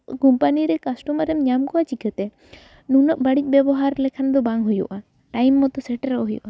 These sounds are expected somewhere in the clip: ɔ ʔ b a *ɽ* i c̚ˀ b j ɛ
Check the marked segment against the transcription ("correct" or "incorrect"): correct